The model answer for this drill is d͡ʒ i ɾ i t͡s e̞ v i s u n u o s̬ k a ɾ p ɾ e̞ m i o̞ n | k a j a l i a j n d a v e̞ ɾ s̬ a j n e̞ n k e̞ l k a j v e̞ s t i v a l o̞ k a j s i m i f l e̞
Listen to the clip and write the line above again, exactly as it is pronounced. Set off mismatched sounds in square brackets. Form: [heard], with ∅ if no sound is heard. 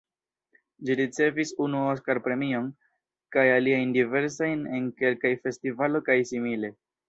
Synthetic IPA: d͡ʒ i ɾ i t͡s e̞ v i s u n u o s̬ k a ɾ p ɾ e̞ m i o̞ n | k a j a l i a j n d [i] v e̞ ɾ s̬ a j n e̞ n k e̞ l k a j [f] e̞ s t i v a l o̞ k a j s i m i [∅] l e̞